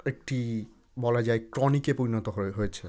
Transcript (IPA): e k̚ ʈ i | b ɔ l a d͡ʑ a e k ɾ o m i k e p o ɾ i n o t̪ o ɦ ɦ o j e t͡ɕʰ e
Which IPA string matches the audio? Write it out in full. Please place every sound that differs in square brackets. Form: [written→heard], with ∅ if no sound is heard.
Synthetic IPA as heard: e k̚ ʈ i | b ɔ l a d͡ʑ a e k ɾ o [m→n] i k e p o ɾ i n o t̪ o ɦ ɦ o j e t͡ɕʰ e